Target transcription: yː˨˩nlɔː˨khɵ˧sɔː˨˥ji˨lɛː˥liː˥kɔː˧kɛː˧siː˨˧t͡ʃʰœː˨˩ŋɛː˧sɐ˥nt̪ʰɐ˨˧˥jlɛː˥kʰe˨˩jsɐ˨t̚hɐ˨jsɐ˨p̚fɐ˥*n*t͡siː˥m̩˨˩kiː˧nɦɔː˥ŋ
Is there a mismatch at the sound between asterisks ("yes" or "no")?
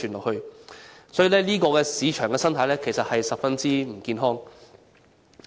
no